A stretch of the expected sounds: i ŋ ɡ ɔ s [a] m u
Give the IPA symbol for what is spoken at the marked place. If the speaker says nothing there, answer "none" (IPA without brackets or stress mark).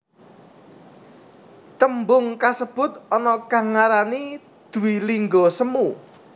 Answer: ə